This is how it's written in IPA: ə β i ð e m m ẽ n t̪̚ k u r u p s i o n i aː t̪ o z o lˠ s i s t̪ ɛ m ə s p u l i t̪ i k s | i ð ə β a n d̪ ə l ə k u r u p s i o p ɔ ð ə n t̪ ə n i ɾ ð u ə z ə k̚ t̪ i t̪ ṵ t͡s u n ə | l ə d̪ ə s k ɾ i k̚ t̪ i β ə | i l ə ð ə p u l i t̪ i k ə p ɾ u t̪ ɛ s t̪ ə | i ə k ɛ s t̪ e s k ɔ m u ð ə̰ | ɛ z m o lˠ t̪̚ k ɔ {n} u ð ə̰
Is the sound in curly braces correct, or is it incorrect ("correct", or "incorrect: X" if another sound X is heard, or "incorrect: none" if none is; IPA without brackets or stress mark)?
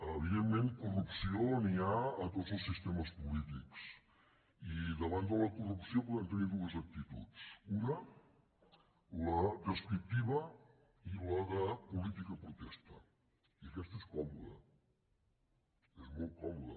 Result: incorrect: m